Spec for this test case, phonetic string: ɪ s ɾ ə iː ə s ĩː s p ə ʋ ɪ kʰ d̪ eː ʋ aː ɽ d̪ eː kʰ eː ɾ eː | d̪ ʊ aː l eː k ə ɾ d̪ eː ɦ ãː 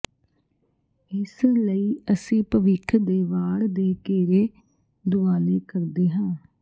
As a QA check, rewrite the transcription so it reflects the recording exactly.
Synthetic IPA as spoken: ɪ s l ə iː ə s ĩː p ə ʋ ɪ kʰ d̪ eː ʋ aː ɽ d̪ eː k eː ɾ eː | d̪ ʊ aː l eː k ə ɾ d̪ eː ɦ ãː